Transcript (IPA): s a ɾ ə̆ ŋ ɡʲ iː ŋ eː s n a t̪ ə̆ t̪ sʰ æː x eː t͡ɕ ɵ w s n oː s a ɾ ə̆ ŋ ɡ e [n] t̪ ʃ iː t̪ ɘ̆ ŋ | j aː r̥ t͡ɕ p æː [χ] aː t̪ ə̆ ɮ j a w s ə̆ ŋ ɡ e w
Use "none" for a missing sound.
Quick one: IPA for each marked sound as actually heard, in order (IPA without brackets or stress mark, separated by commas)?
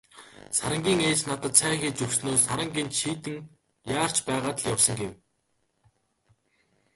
n, ʁ